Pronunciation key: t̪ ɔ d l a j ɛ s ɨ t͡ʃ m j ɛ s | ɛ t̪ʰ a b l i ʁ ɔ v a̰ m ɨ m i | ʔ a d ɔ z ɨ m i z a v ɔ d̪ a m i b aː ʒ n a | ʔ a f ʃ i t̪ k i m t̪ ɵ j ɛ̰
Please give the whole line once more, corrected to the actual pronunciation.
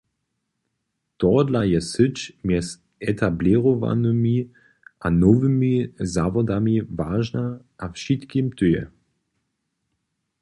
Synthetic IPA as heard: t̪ ɔ d l a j ɛ s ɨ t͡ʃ m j ɛ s | ɛ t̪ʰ a b l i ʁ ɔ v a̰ n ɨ m i | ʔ a n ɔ v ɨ m i z a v ɔ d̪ a m i v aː ʒ n a | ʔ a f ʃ i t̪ k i m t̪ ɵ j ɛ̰